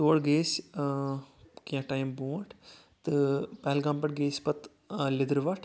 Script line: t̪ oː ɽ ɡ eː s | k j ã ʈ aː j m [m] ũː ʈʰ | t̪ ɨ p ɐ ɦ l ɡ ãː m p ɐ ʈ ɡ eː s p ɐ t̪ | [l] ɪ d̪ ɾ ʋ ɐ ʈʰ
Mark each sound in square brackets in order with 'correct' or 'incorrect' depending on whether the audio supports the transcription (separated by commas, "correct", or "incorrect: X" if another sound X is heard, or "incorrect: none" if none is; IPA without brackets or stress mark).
incorrect: b, correct